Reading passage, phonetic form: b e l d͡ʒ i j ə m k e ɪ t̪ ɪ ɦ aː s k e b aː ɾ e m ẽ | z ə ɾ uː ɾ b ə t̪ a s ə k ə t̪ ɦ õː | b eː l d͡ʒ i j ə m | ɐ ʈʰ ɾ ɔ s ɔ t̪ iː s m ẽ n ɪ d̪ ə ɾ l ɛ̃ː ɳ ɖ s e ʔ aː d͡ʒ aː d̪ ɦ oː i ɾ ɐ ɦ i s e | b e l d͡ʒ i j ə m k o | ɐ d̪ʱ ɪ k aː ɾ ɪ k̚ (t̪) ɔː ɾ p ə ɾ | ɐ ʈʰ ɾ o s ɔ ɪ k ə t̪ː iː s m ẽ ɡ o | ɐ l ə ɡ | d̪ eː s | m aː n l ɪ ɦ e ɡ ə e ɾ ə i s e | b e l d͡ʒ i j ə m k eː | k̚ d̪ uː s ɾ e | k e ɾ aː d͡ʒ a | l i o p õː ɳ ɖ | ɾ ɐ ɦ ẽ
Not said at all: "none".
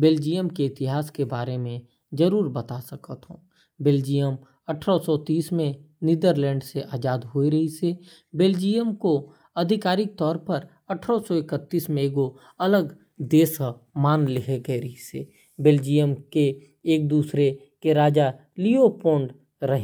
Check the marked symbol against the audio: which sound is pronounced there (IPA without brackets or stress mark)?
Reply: t̪